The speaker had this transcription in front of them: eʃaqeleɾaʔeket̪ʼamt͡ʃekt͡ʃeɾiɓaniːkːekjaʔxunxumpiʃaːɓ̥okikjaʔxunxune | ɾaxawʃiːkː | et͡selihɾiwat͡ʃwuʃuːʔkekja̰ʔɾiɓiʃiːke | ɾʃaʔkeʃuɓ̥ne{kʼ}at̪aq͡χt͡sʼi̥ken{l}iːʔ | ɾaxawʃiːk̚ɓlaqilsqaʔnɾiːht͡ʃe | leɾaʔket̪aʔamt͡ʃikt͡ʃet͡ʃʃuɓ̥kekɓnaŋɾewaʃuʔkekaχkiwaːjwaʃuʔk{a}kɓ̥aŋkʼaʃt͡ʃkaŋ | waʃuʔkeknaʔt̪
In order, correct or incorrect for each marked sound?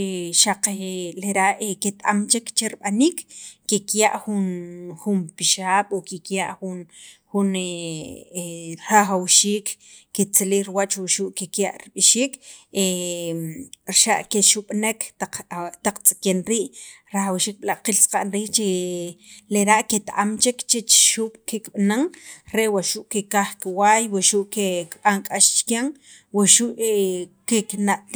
incorrect: k, incorrect: ɾ, incorrect: e

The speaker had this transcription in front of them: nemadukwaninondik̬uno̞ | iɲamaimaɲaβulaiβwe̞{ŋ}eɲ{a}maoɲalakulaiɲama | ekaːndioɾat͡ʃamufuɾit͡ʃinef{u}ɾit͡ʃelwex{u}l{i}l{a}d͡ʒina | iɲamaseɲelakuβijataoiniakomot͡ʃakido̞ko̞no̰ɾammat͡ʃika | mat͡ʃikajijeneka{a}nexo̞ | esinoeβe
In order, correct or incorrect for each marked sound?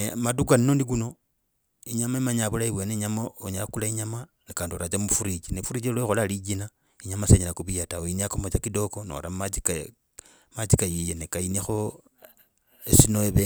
incorrect: n, correct, correct, incorrect: o, incorrect: a, incorrect: i, incorrect: i

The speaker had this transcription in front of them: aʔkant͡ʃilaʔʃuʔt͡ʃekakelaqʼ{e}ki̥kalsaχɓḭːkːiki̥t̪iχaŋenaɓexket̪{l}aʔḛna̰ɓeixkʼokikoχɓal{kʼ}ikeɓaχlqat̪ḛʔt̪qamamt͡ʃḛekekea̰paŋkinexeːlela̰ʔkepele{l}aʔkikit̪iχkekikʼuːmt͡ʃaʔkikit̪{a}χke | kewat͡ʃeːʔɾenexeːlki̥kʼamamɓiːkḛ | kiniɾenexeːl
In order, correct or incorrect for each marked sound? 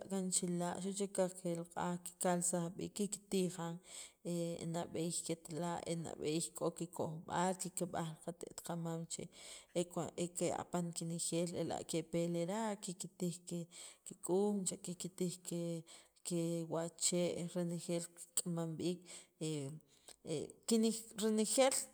incorrect: a, correct, incorrect: k, incorrect: ɾ, incorrect: i

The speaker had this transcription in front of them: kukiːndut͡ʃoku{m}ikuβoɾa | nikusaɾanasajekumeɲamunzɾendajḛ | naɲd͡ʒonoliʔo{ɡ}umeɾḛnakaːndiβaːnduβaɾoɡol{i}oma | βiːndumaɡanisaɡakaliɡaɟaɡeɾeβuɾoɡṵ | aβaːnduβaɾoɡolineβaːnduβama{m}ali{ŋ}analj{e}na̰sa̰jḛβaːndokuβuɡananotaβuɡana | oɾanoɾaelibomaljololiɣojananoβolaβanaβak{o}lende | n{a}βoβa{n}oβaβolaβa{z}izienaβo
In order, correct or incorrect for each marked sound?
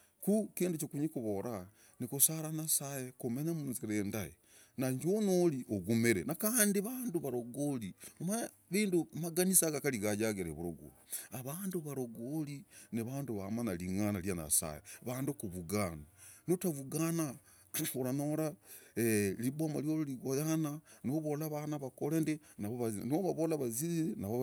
incorrect: ɲ, correct, correct, incorrect: n, correct, incorrect: a, correct, correct, correct, correct

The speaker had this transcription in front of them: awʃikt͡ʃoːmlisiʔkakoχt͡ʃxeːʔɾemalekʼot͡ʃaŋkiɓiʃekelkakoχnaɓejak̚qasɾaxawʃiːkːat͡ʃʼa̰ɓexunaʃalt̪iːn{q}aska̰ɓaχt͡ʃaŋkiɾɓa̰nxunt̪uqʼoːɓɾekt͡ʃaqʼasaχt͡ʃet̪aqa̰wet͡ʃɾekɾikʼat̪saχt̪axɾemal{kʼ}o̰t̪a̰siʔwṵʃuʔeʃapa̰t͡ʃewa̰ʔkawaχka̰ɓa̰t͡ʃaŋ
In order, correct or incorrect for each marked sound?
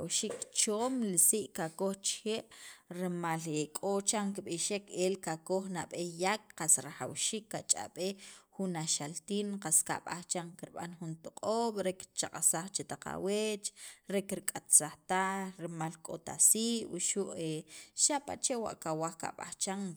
correct, correct

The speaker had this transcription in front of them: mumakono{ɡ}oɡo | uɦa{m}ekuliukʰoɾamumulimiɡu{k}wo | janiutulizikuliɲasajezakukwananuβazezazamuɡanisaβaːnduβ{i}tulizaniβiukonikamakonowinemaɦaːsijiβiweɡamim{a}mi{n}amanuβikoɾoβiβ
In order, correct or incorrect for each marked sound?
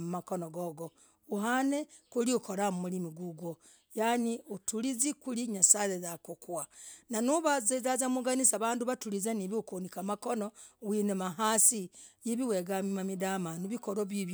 correct, incorrect: n, incorrect: ɡ, incorrect: a, correct, incorrect: d

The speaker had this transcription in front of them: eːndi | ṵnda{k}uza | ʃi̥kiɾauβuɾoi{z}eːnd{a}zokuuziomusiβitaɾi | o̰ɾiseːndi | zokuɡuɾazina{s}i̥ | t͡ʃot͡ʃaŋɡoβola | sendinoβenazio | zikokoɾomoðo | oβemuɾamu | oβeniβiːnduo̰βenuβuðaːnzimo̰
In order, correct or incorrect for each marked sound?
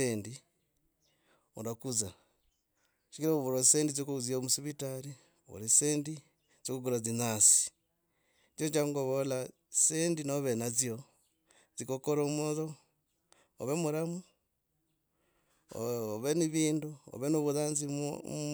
correct, incorrect: s, incorrect: i, correct

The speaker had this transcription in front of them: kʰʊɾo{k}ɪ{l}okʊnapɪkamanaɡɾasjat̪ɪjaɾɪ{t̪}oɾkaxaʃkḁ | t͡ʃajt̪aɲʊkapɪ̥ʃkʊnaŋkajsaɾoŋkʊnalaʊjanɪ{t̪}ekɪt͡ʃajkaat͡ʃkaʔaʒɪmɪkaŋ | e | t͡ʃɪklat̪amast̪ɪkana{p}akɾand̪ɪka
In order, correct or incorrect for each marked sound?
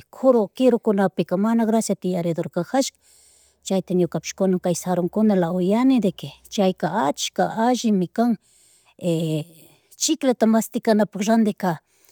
correct, incorrect: ɾ, incorrect: d̪, incorrect: d̪, correct

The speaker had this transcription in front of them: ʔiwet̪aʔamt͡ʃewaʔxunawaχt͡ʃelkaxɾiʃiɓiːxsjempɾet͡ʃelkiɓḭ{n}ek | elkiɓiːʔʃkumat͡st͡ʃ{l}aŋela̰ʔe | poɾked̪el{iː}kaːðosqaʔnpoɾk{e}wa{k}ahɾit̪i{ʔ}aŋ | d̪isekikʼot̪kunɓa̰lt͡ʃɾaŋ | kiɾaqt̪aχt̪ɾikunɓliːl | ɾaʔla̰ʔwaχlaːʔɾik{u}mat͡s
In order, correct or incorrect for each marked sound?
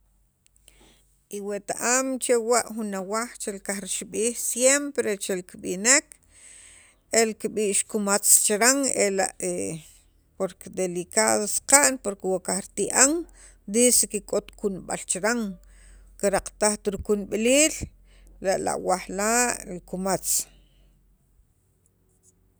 correct, incorrect: ɾ, incorrect: i, correct, correct, correct, correct

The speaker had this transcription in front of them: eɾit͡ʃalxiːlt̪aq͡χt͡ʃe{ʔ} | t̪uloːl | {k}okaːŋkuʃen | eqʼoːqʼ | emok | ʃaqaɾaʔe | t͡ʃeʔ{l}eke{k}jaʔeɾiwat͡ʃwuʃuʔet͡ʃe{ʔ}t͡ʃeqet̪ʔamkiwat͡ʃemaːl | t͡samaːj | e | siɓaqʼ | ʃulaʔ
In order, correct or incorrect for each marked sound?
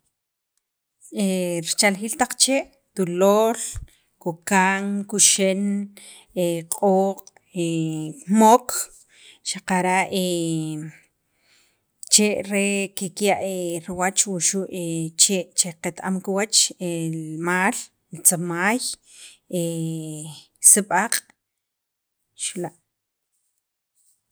correct, correct, incorrect: ɾ, correct, correct

